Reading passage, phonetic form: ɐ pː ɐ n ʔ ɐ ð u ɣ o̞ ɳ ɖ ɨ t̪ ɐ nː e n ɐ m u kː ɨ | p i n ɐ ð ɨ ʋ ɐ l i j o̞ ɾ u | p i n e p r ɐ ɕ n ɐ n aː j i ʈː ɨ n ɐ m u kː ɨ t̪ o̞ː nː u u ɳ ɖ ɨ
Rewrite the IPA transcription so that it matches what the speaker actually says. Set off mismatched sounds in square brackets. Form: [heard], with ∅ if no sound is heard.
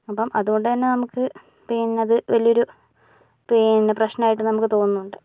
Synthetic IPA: ɐ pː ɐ [m] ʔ ɐ ð u ɣ o̞ ɳ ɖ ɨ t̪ ɐ nː e n ɐ m u kː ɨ | p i n ɐ ð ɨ ʋ ɐ l i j o̞ ɾ u | p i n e p r ɐ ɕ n ɐ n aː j i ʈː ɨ n ɐ m u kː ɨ t̪ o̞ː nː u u ɳ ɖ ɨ